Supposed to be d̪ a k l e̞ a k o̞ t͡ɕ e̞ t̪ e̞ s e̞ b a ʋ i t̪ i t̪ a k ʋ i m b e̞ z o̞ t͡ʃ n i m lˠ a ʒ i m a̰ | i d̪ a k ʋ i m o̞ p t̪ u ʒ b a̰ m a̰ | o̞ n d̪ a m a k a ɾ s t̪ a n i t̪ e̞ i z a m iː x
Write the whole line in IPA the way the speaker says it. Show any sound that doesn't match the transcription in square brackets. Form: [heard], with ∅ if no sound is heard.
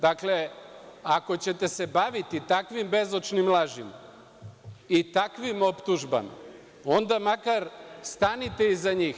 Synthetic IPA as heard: d̪ a k l e̞ a k o̞ t͡ɕ e̞ t̪ e̞ s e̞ b a ʋ i t̪ i t̪ a k ʋ i m b e̞ z o̞ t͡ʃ n i m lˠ a ʒ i m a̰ | i [t̪] a k ʋ i m o̞ p t̪ u ʒ b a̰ m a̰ | o̞ n d̪ a m a k a ɾ s t̪ a n i t̪ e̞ i z a [ɲ] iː x